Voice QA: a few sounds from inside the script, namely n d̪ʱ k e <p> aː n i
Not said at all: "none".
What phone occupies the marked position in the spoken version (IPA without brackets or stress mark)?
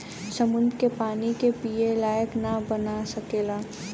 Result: p